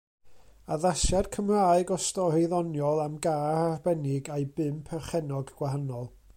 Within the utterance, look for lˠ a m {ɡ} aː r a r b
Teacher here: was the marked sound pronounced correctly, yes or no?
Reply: yes